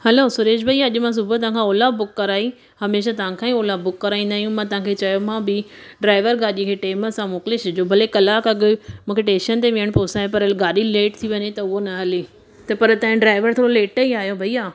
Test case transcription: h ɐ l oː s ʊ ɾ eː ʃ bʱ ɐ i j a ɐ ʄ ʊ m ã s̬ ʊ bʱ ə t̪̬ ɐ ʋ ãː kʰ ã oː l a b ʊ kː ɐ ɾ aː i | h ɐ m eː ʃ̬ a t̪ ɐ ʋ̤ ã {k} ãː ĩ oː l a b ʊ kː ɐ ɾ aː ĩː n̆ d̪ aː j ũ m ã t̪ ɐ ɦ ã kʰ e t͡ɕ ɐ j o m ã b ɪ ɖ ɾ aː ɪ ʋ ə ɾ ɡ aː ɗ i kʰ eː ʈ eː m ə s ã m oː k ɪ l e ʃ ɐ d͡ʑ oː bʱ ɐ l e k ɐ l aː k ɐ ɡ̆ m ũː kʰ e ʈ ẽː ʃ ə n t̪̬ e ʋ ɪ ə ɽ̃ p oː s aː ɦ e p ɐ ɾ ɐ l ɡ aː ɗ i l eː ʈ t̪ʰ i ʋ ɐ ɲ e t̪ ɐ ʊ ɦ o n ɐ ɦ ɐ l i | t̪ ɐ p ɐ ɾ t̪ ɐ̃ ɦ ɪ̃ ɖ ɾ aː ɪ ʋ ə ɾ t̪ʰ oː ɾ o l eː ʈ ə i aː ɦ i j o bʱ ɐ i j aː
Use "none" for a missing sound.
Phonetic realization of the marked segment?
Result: kʰ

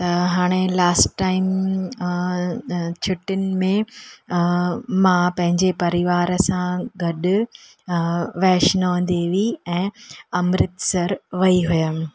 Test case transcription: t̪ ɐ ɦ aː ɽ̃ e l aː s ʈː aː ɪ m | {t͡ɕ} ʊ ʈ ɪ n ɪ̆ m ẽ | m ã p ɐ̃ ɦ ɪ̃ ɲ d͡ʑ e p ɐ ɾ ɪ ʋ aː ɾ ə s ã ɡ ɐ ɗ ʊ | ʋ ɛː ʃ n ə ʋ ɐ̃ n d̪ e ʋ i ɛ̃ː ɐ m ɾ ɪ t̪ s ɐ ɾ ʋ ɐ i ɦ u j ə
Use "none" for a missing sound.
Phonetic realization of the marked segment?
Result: t͡ɕʰ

